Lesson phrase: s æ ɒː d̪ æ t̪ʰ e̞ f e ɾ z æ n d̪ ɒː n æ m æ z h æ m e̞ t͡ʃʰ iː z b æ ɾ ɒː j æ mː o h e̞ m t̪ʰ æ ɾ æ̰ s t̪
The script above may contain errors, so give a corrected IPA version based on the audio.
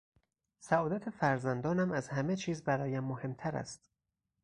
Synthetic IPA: s æ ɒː d̪ æ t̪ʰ e̞ f æ ɾ z æ n d̪ ɒː n æ m æ z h æ m e̞ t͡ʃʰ iː z b æ ɾ ɒː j æ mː o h e̞ m t̪ʰ æ ɾ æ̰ s t̪